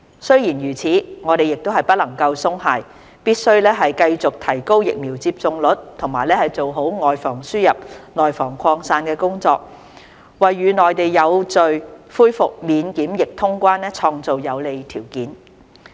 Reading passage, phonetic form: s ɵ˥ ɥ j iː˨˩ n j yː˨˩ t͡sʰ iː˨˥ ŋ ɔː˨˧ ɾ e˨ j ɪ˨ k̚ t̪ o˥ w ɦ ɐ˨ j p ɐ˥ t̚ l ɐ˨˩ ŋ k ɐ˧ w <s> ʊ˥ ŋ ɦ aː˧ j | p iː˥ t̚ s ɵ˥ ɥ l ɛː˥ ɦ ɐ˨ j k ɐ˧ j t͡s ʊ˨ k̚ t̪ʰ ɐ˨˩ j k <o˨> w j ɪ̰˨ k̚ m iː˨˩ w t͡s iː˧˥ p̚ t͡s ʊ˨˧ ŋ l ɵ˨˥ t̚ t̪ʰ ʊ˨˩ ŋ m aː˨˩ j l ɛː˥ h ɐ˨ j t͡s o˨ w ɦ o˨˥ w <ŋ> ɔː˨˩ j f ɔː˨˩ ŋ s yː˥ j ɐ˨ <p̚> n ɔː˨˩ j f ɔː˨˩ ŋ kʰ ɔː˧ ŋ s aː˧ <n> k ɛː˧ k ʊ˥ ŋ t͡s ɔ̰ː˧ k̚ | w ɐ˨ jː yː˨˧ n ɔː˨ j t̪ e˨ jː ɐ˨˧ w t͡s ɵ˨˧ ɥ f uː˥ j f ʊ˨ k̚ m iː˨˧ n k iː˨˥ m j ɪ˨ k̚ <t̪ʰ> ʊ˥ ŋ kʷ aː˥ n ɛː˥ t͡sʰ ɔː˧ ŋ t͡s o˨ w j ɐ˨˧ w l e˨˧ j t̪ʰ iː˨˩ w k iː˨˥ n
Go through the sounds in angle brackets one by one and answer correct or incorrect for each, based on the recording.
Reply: correct, incorrect, correct, correct, correct, correct

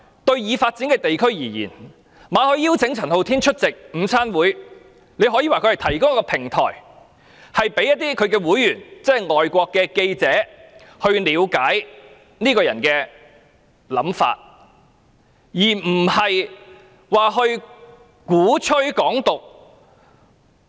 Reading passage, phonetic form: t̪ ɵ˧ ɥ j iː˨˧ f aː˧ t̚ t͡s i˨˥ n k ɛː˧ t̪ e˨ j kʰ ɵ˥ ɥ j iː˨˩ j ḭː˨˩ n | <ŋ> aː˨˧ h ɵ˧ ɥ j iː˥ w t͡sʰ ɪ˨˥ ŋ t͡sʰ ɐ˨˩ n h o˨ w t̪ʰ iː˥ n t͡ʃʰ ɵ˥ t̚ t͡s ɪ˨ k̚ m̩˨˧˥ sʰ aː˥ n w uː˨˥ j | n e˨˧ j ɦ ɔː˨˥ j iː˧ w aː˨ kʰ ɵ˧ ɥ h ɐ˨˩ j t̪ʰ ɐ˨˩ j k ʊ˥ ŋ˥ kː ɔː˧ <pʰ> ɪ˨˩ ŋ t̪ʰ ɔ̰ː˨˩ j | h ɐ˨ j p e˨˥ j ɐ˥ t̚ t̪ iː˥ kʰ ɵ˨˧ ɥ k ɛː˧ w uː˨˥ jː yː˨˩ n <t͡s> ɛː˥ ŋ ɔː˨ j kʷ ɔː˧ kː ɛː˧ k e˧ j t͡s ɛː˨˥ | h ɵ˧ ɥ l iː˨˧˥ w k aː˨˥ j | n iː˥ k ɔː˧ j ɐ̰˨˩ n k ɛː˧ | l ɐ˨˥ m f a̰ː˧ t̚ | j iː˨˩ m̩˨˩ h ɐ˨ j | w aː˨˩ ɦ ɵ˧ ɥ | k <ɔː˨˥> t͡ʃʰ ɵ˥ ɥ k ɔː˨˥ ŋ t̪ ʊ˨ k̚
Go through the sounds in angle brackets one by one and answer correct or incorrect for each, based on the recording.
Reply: incorrect, correct, correct, incorrect

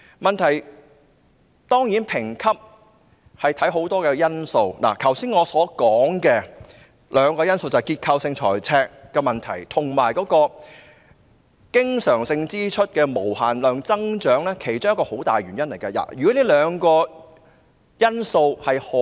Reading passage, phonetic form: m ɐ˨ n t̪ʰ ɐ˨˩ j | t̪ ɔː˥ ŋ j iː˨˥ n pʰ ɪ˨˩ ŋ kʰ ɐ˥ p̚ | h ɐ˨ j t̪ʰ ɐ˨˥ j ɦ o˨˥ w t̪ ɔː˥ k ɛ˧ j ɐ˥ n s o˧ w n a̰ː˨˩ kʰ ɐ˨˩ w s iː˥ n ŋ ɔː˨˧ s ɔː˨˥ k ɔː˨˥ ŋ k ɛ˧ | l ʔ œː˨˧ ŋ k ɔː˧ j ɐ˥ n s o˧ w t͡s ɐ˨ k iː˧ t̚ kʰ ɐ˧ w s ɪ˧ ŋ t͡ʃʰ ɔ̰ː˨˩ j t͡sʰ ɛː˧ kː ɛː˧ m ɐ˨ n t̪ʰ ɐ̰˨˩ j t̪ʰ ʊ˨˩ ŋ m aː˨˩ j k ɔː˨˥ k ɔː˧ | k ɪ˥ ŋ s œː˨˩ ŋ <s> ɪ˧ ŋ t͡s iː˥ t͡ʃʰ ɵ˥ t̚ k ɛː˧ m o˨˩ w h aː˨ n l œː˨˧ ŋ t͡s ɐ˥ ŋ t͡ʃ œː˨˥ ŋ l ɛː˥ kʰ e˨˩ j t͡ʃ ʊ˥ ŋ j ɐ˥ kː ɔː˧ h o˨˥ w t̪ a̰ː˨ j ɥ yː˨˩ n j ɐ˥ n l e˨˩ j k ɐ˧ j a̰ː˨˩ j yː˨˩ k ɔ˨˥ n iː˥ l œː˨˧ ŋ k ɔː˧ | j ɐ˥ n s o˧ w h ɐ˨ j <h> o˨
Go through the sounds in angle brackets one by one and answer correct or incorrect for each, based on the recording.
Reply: correct, correct

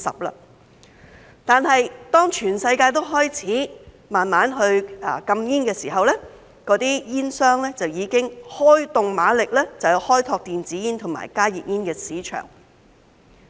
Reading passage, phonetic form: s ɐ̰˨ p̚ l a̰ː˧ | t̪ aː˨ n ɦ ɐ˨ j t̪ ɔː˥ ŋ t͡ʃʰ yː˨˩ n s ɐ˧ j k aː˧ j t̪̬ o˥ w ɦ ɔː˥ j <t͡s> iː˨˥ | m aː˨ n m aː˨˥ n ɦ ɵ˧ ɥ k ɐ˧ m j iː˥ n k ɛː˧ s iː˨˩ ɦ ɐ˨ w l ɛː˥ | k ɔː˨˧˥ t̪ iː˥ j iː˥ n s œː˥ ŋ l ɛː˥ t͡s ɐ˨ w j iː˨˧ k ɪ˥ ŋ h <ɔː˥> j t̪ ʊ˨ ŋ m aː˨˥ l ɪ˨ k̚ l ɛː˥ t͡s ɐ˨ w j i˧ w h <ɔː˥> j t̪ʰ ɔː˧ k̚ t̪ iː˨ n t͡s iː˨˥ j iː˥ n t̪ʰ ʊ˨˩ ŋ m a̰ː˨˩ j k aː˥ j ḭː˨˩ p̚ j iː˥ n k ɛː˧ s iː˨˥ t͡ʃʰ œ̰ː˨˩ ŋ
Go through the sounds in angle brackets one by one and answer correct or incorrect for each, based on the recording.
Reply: incorrect, correct, correct

